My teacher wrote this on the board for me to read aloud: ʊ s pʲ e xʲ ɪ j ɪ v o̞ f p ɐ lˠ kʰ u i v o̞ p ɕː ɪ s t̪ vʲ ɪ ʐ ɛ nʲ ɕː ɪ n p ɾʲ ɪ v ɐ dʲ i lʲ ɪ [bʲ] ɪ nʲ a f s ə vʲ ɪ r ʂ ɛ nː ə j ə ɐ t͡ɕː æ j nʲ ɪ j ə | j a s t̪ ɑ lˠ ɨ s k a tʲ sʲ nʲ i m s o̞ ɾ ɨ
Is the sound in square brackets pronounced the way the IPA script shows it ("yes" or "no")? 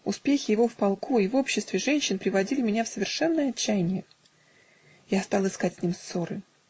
no